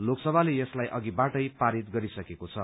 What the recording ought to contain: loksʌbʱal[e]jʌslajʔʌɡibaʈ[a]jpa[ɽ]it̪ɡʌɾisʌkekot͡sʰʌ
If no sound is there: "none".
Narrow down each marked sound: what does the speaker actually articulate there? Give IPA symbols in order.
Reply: e, ʌ, ɾ

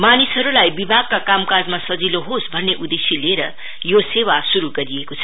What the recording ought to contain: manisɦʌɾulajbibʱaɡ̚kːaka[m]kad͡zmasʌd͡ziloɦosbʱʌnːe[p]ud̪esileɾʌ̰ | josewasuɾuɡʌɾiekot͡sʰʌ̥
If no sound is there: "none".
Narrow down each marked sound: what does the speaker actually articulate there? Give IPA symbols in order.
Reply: m, ʔ

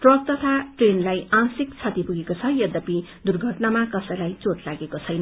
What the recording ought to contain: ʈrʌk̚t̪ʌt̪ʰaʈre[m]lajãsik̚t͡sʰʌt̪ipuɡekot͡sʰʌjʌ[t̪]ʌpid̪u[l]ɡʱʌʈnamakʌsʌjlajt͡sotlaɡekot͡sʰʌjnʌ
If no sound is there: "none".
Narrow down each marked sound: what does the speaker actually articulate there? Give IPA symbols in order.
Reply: n, d̪, r

